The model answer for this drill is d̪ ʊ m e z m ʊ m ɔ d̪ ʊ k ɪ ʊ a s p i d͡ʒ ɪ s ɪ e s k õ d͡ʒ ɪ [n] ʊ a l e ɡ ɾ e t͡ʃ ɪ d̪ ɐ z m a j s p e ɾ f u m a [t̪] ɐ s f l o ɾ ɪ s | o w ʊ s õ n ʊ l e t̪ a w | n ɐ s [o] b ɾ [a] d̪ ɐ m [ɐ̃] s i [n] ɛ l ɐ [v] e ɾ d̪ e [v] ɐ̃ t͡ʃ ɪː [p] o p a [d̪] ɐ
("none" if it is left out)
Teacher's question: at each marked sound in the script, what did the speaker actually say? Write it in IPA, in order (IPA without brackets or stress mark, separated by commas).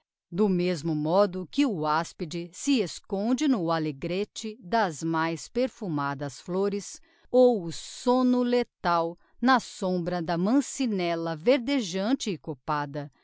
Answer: n, d̪, õ, ɐ, ɐ̃, n, v, ʒ, k, d̪